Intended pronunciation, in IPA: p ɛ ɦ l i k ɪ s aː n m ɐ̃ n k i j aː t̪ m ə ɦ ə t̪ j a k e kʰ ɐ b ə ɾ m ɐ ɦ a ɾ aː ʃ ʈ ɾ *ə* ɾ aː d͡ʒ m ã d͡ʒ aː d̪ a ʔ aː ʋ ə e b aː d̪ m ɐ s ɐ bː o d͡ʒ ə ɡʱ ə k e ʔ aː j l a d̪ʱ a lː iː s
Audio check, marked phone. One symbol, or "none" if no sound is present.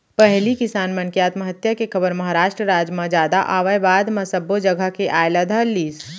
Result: ə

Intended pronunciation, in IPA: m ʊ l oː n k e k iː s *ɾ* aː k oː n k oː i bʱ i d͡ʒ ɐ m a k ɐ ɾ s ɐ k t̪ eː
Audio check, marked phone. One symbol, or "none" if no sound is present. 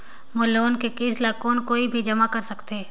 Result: l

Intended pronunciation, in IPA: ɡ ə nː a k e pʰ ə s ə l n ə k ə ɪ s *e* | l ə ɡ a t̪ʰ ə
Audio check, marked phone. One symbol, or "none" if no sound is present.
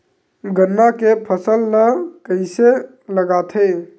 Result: e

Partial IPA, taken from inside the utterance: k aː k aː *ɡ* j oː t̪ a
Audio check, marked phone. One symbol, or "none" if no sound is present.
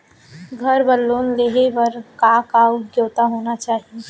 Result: ɡ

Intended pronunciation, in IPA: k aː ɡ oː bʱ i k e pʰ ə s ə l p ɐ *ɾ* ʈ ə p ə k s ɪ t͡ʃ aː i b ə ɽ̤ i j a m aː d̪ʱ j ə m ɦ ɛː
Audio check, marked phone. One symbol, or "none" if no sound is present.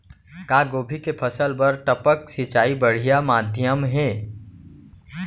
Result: ɾ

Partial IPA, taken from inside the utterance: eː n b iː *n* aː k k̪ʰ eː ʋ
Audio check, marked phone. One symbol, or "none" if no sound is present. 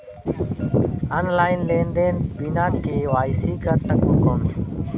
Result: n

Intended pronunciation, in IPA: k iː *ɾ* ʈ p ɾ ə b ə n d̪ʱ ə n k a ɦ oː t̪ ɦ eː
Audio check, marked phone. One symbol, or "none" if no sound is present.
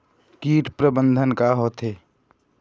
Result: none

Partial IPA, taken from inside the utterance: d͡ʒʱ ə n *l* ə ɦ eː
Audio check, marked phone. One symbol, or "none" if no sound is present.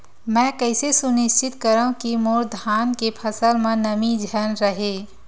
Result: ɾ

